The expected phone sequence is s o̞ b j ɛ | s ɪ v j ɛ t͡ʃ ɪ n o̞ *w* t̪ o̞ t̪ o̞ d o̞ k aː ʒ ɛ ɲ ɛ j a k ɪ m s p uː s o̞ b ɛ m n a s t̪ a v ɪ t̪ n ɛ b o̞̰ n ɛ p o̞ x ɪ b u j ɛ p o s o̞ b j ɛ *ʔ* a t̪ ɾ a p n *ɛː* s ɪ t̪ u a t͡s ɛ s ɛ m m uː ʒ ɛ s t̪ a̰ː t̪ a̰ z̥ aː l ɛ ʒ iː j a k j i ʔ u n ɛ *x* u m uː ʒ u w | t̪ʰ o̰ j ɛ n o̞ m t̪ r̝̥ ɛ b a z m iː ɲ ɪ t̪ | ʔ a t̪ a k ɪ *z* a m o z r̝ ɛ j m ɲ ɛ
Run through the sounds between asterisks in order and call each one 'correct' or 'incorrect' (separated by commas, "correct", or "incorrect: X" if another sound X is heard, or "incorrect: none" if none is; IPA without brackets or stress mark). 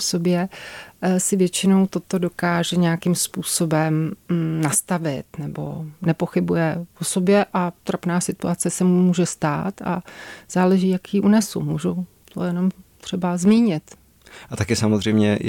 correct, correct, incorrect: aː, incorrect: s, incorrect: s